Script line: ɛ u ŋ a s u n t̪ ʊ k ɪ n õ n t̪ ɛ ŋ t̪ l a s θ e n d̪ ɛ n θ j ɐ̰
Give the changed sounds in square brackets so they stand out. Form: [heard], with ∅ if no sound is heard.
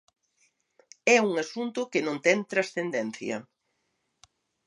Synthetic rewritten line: ɛ u ŋ a s u n t̪ ʊ k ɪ n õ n t̪ ɛ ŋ t̪ [ɾ] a s θ e n d̪ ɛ n θ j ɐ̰